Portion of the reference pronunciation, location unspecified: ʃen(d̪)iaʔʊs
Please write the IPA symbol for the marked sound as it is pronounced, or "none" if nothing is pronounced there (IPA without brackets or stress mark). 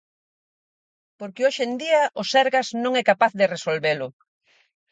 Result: d̪